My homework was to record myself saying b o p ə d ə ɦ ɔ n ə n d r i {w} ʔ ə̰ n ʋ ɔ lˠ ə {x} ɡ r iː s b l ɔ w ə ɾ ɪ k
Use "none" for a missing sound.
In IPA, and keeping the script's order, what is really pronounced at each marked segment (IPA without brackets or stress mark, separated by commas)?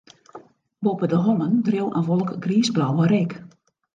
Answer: w, k